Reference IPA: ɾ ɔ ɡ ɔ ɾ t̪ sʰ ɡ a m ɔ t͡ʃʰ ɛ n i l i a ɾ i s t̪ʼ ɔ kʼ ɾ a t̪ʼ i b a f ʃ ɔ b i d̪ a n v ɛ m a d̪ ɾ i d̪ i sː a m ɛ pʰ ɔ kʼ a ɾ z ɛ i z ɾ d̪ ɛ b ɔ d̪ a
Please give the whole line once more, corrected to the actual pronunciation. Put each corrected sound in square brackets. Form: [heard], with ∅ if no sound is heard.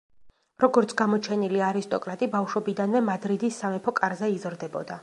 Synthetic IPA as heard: ɾ ɔ ɡ ɔ ɾ t̪ sʰ ɡ a m ɔ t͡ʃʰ ɛ n i l i a ɾ i s t̪ʼ ɔ kʼ ɾ a t̪ʼ i b a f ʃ ɔ b i d̪ a n v ɛ m a d̪ ɾ i d̪ i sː a m ɛ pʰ ɔ kʼ a ɾ z ɛ i z ɾ d̪ ɛ b ɔ d̪ a